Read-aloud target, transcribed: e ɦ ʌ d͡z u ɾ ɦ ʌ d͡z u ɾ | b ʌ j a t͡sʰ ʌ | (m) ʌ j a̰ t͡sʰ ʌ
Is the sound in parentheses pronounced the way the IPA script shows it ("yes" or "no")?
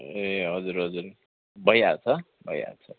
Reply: no